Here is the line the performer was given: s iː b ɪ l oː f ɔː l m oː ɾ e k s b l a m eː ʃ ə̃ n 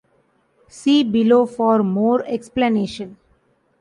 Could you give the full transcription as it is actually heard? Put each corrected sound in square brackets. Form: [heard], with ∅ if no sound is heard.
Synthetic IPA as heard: s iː b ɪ l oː f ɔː [ɾ] m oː ɾ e k s [p] l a [n] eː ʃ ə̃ n